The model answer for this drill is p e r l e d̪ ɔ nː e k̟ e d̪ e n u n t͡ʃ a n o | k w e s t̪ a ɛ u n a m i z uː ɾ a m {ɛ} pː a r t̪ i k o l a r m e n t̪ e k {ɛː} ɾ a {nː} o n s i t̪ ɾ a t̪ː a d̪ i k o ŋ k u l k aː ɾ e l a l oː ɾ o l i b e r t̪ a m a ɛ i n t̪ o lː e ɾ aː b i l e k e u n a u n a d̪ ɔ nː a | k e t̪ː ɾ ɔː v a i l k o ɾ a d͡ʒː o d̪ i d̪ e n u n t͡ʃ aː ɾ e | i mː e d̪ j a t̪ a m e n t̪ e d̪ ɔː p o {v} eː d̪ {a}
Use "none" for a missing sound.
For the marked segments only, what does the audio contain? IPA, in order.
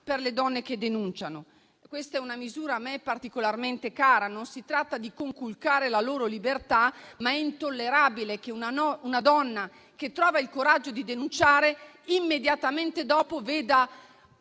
ɛ, aː, n, v, a

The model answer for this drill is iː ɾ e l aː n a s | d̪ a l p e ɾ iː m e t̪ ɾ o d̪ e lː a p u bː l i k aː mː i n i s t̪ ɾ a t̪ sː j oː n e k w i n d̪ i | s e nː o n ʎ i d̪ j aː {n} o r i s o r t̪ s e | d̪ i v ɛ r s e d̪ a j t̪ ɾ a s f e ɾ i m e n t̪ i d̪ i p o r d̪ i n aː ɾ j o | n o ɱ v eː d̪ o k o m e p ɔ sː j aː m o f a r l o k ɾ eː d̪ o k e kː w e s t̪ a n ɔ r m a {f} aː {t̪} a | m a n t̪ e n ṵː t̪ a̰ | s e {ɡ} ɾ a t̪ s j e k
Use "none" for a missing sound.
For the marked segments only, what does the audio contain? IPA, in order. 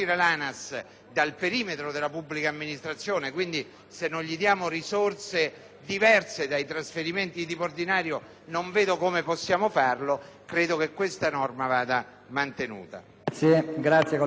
m, v, d̪, ɡ

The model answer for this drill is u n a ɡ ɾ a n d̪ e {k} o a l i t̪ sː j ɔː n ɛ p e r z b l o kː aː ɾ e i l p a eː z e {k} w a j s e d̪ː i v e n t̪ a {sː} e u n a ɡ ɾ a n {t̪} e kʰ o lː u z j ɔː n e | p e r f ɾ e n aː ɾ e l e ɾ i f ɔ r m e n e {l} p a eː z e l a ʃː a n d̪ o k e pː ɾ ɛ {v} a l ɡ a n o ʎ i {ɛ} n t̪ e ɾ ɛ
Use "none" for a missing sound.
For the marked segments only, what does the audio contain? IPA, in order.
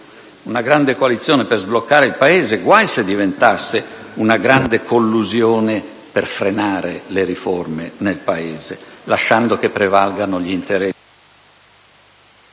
k, ɡ, sː, d̪, l, v, i

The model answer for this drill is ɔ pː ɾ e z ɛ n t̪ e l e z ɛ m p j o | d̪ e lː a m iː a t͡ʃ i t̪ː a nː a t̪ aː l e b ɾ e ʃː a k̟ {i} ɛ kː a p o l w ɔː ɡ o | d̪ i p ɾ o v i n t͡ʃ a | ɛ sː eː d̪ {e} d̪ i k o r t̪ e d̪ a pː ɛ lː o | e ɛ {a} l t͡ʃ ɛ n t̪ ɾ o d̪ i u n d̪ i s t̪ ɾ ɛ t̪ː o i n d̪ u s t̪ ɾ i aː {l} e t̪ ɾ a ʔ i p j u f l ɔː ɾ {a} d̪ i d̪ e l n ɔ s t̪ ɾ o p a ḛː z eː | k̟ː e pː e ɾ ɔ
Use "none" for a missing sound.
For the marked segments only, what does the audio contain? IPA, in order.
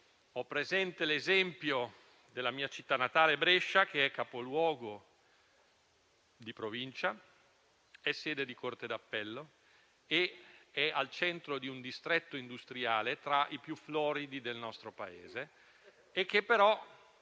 e, e, a, l, i

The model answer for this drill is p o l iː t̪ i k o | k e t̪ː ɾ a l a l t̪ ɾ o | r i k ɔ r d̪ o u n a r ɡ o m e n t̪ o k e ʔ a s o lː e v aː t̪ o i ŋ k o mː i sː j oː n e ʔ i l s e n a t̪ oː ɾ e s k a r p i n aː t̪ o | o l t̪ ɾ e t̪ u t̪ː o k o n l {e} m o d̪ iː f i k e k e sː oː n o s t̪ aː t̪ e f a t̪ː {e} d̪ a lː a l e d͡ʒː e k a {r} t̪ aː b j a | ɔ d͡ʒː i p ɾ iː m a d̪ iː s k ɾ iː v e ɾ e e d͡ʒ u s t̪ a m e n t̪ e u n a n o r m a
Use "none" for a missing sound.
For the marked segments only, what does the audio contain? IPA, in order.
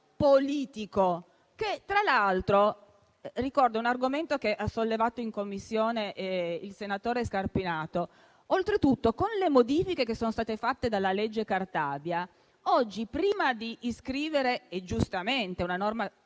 e, e, r

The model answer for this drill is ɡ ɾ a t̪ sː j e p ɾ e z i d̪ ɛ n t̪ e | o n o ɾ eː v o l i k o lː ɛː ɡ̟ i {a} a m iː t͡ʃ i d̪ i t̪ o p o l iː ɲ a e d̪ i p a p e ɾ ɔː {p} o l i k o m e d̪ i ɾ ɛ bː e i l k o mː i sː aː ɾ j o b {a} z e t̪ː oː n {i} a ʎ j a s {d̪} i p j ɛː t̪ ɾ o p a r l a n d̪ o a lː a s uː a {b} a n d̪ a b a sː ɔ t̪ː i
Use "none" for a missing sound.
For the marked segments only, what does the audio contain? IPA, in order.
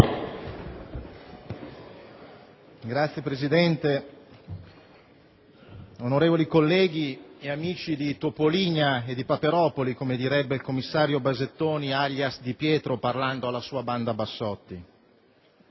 e, p, a, i, d̪, b

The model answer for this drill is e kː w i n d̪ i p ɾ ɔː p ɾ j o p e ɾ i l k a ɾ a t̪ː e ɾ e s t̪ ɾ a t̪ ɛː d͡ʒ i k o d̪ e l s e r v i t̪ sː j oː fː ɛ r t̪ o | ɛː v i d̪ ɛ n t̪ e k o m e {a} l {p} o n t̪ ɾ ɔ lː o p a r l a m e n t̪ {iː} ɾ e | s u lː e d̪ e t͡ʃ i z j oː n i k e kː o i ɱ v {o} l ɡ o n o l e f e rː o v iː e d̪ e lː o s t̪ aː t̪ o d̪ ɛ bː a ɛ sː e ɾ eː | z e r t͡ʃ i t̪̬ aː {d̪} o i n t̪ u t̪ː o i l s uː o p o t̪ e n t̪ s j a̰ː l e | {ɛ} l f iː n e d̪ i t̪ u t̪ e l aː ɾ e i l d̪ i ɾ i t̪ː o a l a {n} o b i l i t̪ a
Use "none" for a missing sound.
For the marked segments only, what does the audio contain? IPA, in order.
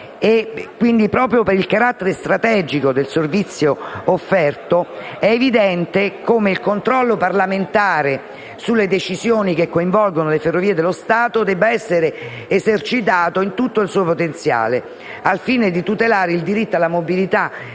i, k, aː, ɔ, t̪, a, m

